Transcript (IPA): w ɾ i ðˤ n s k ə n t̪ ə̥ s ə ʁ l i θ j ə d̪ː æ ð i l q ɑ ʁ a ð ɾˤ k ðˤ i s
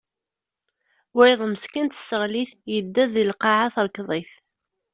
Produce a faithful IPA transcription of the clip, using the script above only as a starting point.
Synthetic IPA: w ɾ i ðˤ m s k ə n t̪ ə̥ s ə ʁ l i θ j ə d̪ː æ ð i l q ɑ ʕ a θ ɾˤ k ðˤ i θ